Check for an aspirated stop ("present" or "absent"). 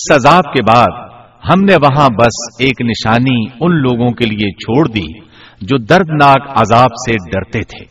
present